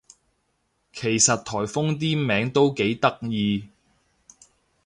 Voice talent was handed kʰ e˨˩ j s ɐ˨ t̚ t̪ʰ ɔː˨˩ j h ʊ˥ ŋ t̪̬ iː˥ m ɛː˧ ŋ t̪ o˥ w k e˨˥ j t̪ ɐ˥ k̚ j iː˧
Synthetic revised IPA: kʰ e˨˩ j s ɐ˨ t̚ t̪ʰ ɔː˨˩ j f ʊ˥ ŋ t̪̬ iː˥ m ɛː˨˥ ŋ t̪ o˥ w k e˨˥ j t̪ ɐ˥ k̚ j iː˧